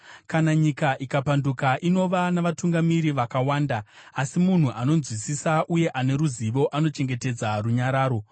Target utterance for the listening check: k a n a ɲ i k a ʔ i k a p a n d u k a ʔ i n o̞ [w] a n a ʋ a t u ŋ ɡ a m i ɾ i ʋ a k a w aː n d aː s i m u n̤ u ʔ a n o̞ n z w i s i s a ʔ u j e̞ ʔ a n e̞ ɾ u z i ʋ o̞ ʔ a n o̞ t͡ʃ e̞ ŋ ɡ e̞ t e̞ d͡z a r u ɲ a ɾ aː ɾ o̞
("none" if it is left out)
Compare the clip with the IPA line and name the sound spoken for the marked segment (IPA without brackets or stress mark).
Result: ʋ